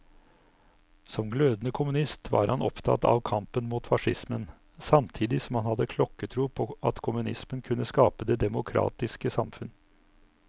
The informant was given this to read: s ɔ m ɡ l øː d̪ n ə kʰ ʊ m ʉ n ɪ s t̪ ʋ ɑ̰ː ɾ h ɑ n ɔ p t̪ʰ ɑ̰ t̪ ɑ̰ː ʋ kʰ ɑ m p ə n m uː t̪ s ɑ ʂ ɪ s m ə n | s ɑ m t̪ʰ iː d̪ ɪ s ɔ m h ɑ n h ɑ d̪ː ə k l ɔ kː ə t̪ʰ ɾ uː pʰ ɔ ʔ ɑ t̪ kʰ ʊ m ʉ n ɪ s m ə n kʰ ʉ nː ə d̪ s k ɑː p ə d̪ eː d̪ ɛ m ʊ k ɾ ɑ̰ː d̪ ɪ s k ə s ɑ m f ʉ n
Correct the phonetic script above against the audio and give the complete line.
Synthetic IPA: s ɔ m ɡ l øː d̪ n ə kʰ ʊ m ʉ n ɪ s t̪ ʋ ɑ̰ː ɾ h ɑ n ɔ p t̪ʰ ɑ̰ t̪ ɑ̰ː ʋ kʰ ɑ m p ə n m uː t̪ f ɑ ʂ ɪ s m ə n | s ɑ m t̪ʰ iː d̪ ɪ s ɔ m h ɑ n h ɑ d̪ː ə kʰ l ɔ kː ə t̪ʰ ɾ uː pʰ ɔ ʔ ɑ t̪ kʰ ʊ m ʉ n ɪ s m ə n kʰ ʉ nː ə s k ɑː p ə d̪ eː d̪ ɛ m ʊ kʰ ɾ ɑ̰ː t̪ ɪ s k ə s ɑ m f ʉ n